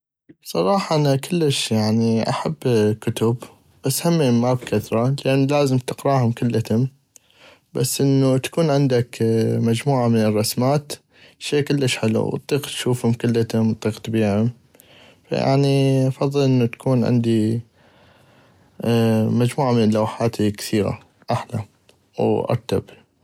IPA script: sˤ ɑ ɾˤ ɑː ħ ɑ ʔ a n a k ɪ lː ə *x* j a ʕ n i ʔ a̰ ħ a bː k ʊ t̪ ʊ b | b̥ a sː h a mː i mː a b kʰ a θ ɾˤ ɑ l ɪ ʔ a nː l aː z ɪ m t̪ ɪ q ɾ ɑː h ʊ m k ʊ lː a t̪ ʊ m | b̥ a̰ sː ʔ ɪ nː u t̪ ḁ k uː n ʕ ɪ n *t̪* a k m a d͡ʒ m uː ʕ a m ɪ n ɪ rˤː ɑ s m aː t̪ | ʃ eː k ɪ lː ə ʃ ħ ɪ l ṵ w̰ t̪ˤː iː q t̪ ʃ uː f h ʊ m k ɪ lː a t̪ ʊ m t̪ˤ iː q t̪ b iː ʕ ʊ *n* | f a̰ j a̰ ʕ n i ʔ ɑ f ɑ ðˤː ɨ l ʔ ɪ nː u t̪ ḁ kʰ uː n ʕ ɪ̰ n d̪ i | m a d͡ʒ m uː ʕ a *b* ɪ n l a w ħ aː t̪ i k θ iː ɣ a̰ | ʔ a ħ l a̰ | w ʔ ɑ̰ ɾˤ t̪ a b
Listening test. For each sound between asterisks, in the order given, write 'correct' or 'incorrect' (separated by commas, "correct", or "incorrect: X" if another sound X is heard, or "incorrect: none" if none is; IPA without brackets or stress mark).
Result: incorrect: ʃ, incorrect: d̪, incorrect: m, incorrect: m